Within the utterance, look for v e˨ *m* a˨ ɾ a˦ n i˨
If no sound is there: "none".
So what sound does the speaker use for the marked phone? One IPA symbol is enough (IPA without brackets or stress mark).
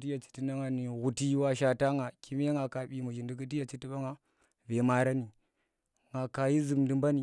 m